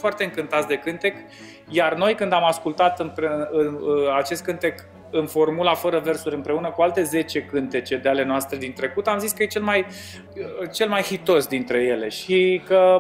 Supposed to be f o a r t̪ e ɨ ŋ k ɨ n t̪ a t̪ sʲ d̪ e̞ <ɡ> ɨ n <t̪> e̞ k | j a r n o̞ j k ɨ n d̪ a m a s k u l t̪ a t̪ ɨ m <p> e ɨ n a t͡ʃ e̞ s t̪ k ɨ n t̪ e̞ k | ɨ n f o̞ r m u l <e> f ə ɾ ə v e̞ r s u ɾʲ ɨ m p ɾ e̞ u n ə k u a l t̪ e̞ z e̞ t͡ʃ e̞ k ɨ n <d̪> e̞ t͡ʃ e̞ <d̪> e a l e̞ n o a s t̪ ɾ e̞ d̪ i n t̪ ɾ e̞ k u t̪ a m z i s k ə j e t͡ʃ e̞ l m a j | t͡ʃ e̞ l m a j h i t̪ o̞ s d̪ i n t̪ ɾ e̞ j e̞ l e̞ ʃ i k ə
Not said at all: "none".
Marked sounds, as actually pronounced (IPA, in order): k, t̪, p, a, t̪, d̪

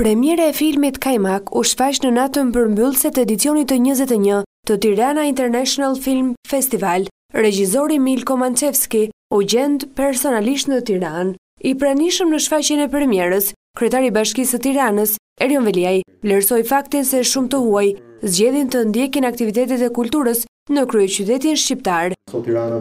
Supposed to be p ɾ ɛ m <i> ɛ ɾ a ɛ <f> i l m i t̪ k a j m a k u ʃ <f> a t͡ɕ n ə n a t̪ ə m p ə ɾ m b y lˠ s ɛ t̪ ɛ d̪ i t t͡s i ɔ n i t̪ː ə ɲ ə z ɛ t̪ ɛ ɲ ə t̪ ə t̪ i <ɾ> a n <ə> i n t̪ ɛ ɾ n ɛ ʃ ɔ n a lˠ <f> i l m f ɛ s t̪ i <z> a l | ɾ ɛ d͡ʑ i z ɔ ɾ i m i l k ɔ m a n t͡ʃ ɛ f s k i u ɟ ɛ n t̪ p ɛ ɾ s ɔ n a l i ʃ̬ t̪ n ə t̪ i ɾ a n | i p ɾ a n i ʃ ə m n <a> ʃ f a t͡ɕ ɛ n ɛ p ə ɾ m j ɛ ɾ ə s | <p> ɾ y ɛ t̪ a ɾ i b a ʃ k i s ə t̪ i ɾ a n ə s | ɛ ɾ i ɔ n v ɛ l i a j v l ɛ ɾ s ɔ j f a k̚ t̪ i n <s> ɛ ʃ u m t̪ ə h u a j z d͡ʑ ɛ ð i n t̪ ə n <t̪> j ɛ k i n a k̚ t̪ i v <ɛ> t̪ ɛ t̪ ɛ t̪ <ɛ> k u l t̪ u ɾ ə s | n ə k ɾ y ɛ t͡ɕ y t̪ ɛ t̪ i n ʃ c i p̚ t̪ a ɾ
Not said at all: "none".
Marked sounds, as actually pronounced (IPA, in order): j, f, f, ɾ, a, f, v, ə, k, s, d̪, i, ɛ

